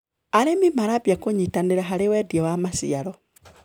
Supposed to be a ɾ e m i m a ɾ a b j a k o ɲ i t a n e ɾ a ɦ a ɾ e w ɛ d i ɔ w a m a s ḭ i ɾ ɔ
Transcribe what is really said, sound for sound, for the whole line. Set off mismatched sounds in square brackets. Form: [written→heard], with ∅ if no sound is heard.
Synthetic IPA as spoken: a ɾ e m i m a ɾ a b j a k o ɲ i t a n e ɾ a ɦ a ɾ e w ɛ d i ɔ w a m a s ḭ [i→a] ɾ ɔ